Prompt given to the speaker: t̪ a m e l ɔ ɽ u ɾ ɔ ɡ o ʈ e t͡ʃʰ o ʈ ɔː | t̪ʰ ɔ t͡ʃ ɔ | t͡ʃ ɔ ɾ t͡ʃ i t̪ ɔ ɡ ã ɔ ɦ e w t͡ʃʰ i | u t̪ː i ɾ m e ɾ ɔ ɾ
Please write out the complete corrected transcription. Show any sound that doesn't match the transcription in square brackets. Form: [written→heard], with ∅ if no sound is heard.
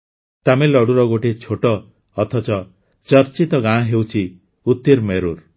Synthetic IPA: t̪ a m e l ɔ ɽ u ɾ ɔ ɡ o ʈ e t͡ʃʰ o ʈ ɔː | t̪ʰ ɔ t͡ʃ ɔ | t͡ʃ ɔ ɾ t͡ʃ i t̪ ɔ ɡ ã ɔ ɦ e w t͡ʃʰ i | u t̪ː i ɾ m e ɾ [ɔ→u] ɾ